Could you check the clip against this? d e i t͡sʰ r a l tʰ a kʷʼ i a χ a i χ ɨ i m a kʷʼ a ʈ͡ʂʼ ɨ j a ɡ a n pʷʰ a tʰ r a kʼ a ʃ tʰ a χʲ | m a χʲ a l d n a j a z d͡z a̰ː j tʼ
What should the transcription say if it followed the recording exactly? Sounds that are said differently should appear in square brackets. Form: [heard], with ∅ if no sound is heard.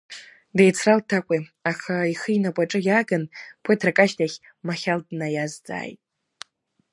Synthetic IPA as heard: d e [j] t͡sʰ r a l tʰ a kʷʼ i a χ a i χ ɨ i [n] a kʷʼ a ʈ͡ʂʼ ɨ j a ɡ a n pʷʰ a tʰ r a kʼ a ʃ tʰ a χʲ | m a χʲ a l d n a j a z d͡z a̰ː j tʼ